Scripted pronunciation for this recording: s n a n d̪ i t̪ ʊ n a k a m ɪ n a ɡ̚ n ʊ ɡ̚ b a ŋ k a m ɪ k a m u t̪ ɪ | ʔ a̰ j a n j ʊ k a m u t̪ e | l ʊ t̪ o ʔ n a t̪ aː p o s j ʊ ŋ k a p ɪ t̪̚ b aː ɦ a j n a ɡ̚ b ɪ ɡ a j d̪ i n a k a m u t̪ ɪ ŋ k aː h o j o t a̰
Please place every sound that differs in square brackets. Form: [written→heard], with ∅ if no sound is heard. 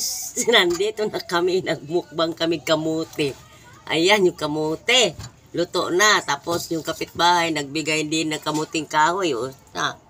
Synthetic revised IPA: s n a n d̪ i t̪ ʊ n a k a m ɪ n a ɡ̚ [n→m] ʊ [ɡ̚→k̚] b a ŋ k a m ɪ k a m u t̪ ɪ | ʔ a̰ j a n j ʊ k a m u t̪ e | l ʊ t̪ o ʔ n a t̪ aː p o s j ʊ ŋ k a p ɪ t̪̚ b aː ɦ a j n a ɡ̚ b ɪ ɡ a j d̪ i n a k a m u t̪ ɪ ŋ k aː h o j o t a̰